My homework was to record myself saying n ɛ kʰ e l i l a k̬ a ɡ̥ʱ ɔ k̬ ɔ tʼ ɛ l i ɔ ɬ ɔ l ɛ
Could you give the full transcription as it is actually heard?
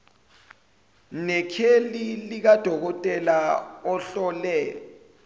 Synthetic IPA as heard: n ɛ kʰ e l i l i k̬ a d̥ʱ ɔ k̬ ɔ tʼ ɛ l a ɔ ɬ ɔ l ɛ